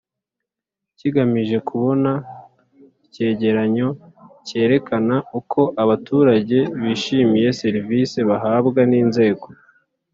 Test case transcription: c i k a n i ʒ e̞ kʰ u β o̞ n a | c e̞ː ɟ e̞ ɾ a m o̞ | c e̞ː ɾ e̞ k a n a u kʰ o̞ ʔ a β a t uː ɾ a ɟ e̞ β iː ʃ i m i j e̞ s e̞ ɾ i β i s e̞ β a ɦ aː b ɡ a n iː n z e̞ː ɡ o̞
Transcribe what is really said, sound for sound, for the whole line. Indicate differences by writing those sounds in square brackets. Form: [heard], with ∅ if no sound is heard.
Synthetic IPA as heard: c i [ɡ] a [m] i ʒ e̞ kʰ u β o̞ n a | c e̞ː ɟ e̞ ɾ a [ɲ] o̞ | c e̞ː ɾ e̞ k a n a u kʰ o̞ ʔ a β a t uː ɾ a ɟ e̞ β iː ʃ i m i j e̞ s e̞ ɾ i [v] i s e̞ β a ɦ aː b ɡ a n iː n z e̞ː ɡ o̞